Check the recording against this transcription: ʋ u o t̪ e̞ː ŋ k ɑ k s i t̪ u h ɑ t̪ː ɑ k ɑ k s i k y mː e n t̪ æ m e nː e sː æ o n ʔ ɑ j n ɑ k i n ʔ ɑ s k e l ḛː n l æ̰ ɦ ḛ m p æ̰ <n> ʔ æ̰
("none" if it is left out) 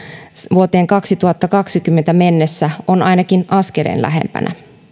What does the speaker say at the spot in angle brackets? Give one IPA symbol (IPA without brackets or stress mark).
n